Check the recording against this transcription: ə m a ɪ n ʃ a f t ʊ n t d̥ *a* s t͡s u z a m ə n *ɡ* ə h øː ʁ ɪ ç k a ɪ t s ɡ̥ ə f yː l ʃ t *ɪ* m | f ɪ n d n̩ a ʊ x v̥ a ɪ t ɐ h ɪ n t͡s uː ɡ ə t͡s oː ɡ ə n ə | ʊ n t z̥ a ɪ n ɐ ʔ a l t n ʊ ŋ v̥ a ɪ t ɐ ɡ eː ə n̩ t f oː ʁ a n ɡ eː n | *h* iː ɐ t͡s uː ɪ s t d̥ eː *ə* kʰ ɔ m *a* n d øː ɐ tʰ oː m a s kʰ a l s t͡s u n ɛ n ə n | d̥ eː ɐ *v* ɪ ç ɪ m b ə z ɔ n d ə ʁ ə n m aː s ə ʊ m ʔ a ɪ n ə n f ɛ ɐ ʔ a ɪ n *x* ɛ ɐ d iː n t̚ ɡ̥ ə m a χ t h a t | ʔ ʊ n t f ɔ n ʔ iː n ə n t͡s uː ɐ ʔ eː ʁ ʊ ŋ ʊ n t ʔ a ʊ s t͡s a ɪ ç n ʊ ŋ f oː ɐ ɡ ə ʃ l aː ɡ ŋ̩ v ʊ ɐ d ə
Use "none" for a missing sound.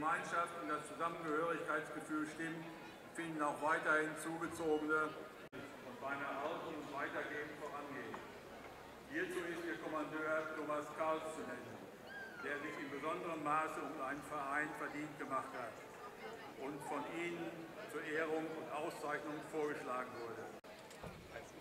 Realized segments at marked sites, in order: a, ɡ, ɪ, h, ɐ, a, z, f

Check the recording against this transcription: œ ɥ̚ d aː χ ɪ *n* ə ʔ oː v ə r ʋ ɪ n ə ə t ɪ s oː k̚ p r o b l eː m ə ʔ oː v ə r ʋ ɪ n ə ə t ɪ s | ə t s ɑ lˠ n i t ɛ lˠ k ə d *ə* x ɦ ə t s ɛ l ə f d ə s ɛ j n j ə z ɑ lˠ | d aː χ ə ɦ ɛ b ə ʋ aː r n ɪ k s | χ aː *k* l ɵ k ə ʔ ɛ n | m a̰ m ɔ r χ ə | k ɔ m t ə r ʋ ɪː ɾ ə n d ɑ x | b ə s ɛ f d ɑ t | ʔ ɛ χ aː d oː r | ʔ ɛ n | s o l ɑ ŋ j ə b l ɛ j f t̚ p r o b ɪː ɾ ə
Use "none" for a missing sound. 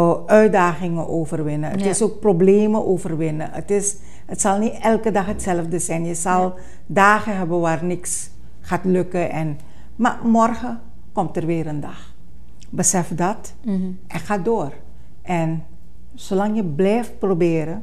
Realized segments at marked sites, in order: ŋ, ɑ, t

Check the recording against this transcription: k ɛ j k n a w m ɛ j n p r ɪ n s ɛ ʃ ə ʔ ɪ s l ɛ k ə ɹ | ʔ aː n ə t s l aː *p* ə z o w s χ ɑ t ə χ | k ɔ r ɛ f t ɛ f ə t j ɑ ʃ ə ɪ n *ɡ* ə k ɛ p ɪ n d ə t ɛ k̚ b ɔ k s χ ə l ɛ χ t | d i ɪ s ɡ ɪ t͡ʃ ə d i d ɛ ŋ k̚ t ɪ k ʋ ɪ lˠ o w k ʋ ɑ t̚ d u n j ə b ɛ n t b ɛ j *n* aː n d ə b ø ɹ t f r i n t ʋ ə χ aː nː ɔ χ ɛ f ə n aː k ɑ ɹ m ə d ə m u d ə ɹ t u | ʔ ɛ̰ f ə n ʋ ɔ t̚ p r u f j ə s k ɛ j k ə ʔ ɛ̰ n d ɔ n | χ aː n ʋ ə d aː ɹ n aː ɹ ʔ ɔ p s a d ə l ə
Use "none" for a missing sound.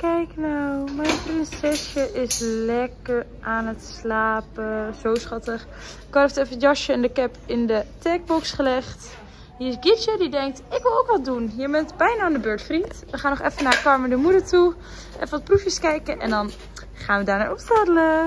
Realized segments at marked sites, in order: p, d, n

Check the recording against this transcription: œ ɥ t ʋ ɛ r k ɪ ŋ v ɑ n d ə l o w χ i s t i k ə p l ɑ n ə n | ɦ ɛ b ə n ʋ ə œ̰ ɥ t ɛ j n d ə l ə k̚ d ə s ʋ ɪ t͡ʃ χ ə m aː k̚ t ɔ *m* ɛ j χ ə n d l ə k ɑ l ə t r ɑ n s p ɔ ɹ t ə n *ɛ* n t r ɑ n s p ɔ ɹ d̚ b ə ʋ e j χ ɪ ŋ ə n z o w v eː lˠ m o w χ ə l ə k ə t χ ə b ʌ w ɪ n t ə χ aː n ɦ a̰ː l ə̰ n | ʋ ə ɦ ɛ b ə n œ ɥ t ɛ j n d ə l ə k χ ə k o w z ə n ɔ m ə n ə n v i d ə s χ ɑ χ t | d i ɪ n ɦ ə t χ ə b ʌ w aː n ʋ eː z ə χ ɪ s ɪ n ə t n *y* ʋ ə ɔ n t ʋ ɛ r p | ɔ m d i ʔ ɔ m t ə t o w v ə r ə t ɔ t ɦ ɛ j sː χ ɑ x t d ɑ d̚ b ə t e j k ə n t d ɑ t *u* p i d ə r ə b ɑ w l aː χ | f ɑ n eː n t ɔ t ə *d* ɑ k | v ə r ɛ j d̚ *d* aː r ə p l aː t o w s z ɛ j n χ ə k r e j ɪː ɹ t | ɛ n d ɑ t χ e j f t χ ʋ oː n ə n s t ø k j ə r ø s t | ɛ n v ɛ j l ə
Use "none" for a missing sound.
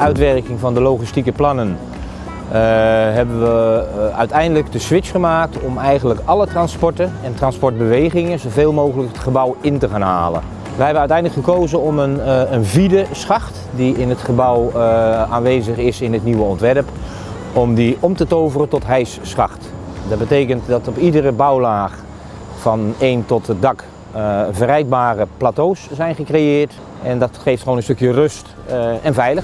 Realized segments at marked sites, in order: m, ɛ, i, ɔ, d, b

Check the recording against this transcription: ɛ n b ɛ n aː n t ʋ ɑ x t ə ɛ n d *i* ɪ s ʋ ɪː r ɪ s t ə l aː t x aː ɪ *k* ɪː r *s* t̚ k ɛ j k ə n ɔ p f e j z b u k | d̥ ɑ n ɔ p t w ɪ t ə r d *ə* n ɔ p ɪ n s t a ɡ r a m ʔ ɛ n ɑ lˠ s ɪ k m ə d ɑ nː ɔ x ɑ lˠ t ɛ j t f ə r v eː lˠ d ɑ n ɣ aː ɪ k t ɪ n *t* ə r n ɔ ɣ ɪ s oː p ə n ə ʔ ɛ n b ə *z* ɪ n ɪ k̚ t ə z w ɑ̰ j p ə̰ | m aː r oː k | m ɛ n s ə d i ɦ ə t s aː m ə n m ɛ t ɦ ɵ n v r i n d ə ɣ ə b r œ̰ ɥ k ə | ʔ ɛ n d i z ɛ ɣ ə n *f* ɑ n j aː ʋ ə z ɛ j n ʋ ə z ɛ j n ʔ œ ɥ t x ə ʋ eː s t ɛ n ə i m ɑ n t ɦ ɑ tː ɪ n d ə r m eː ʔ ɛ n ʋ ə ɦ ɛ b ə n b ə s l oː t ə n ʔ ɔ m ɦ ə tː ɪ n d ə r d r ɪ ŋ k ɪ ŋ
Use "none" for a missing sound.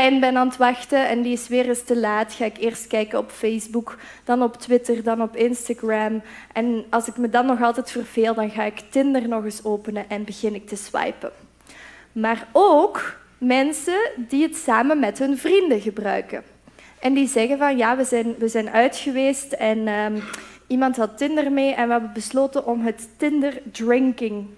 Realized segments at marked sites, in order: i, k, s, ɑ, d, ɣ, v

